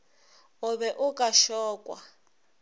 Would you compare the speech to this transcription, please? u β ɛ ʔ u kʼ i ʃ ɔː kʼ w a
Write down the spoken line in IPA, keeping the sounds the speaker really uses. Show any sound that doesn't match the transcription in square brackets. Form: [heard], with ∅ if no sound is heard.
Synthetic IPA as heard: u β ɛ ʔ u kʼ [a] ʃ ɔː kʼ w a